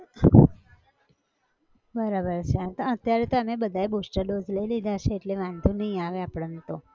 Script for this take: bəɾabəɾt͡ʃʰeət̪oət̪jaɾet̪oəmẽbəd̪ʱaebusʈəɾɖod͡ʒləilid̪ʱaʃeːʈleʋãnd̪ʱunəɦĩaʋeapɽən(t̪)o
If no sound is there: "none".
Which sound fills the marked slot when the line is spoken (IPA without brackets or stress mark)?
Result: t̪